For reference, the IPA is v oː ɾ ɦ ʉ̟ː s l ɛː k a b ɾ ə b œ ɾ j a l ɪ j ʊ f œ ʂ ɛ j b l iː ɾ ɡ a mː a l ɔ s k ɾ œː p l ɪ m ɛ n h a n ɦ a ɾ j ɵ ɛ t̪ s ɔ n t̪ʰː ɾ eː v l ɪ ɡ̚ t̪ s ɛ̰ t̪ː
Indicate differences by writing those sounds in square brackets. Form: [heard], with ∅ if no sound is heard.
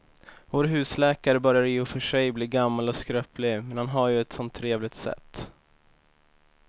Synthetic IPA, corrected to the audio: v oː ɾ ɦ ʉ̟ː s l ɛː k a [∅] ɾ ə b œ ɾ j a [ɾ] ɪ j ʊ f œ ʂ ɛ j b l iː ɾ ɡ a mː a l ɔ s k ɾ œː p l ɪ m ɛ n h a n ɦ a ɾ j ɵ ɛ t̪ s ɔ n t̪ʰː ɾ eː v l ɪ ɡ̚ t̪ s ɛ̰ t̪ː